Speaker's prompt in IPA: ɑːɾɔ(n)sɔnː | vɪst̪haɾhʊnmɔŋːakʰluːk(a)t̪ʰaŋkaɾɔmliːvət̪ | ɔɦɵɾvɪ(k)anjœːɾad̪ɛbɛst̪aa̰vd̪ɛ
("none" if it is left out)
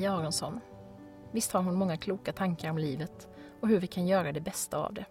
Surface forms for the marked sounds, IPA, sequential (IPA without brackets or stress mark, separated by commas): n, a, kʰ